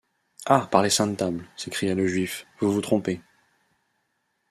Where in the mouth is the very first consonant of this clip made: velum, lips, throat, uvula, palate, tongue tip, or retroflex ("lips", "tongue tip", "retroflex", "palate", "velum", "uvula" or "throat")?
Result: lips